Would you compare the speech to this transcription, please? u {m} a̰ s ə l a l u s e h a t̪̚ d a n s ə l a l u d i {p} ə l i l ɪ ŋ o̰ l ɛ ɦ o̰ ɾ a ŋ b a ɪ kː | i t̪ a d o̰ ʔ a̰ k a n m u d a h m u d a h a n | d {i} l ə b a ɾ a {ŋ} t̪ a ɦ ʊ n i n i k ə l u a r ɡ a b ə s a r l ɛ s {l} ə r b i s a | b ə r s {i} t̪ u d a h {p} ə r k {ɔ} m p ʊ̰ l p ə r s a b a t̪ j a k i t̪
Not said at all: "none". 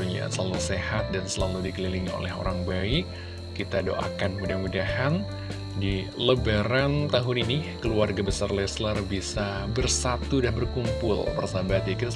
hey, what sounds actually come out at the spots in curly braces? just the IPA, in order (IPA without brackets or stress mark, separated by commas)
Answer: ɲ, k, i, n, l, a, b, u